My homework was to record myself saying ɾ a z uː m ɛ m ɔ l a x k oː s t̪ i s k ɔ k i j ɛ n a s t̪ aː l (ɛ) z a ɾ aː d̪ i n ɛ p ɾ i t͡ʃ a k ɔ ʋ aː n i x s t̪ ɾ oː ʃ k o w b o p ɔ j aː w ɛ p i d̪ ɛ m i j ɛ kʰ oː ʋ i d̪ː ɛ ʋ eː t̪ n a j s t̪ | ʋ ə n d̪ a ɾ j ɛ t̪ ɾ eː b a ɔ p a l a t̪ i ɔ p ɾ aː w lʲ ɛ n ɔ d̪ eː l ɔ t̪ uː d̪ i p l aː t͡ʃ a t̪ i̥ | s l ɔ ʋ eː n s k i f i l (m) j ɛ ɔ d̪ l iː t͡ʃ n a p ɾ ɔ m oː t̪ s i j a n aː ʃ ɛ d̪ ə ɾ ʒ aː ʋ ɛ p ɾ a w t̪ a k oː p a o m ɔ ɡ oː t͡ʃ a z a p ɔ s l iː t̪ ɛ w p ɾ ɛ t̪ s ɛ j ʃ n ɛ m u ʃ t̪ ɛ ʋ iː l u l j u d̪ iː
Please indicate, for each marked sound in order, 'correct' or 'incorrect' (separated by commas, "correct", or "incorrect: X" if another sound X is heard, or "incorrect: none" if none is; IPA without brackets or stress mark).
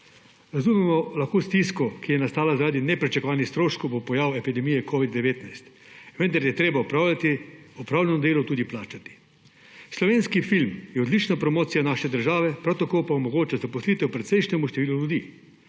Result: incorrect: a, correct